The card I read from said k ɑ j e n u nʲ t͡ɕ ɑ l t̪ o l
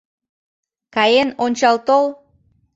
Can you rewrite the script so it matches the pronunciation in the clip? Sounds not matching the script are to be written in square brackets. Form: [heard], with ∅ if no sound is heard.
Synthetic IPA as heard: k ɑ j e n [o] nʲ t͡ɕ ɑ l t̪ o l